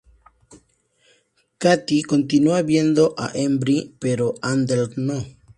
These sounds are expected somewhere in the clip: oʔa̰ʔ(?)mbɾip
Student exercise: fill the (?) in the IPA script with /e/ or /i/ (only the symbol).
e